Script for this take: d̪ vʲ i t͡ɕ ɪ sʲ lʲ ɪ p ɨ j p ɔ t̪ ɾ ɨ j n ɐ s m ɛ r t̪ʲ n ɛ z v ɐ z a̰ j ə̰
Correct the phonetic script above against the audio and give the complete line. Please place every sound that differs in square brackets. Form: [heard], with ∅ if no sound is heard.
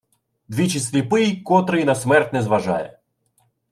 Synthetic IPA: d̪ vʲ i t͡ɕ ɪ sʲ lʲ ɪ p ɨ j [k] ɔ t̪ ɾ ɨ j n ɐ s m ɛ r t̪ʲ n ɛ z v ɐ [ʐ] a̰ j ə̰